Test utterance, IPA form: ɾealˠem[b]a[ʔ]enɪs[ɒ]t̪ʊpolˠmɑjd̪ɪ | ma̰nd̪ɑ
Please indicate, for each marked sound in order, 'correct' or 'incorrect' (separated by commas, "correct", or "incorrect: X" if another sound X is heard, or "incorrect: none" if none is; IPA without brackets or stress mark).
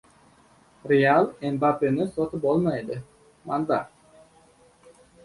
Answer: correct, incorrect: p, incorrect: o